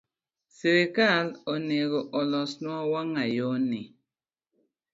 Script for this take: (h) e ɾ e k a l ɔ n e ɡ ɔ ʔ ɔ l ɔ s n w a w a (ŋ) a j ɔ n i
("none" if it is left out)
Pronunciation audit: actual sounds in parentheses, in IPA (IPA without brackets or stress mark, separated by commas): s, ŋ